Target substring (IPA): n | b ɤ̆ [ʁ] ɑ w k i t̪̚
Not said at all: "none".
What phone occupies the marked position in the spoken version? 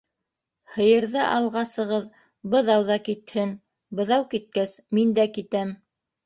ð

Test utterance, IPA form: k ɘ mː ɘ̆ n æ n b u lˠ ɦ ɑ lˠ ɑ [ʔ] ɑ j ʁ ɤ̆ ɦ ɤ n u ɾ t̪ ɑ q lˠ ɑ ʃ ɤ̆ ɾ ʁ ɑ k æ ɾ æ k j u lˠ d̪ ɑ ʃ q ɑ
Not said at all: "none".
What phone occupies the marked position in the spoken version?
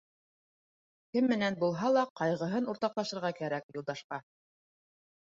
q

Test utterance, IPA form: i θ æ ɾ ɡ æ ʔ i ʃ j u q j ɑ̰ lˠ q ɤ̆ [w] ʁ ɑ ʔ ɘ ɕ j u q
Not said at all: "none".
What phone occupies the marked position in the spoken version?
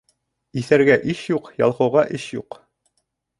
w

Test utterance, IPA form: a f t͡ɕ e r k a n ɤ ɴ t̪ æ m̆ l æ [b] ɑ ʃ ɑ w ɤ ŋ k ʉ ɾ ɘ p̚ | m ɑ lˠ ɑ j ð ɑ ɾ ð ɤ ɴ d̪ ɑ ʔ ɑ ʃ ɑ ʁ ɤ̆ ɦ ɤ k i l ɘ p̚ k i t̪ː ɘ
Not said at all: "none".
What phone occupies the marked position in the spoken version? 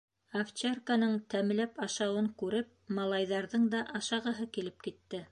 p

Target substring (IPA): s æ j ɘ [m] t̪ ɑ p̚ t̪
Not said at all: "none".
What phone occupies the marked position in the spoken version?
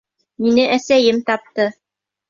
m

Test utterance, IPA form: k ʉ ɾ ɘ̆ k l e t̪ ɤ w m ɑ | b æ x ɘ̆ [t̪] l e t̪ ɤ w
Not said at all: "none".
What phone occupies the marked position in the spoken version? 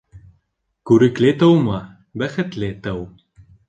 t̪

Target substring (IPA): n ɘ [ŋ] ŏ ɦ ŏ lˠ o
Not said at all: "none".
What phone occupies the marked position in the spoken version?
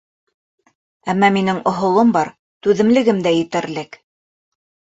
ŋ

